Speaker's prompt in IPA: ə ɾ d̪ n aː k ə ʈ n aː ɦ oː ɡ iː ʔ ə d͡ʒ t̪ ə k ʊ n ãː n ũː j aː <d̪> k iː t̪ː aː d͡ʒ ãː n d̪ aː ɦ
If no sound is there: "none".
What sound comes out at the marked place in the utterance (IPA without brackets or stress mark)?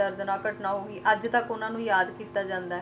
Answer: d̪